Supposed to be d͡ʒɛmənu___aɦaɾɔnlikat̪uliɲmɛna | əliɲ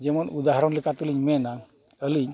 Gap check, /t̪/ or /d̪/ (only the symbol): d̪